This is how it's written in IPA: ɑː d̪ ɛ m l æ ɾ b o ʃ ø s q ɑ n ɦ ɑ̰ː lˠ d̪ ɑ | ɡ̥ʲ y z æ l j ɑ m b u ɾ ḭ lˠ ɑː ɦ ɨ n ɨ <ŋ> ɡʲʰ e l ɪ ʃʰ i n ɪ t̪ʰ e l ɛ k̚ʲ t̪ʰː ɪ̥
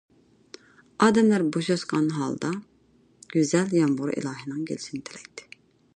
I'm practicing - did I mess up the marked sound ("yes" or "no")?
no